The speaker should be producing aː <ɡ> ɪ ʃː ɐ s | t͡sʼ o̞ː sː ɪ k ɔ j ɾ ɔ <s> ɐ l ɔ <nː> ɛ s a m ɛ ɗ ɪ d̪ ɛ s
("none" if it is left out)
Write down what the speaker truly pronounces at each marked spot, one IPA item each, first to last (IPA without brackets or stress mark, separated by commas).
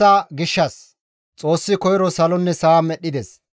ɡ, s, nː